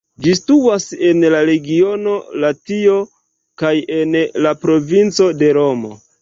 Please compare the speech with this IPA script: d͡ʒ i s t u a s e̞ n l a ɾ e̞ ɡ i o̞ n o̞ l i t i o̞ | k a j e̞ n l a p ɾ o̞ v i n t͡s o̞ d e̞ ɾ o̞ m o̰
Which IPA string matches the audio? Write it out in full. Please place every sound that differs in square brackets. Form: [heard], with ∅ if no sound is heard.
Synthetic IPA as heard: d͡ʒ i s t u a s e̞ n l a ɾ e̞ ɡ i o̞ n o̞ l [a] t i o̞ | k a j e̞ n l a p ɾ o̞ v i n t͡s o̞ d e̞ ɾ o̞ m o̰